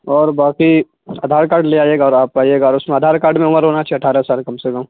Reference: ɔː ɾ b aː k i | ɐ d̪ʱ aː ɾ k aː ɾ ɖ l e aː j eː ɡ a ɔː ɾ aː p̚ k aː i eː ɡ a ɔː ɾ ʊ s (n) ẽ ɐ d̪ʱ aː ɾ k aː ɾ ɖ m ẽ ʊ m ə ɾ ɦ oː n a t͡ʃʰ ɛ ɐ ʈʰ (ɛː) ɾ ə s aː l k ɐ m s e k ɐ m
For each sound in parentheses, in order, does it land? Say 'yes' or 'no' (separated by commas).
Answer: no, no